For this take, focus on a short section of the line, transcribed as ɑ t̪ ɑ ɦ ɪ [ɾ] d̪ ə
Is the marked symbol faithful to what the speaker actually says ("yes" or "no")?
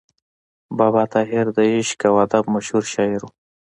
yes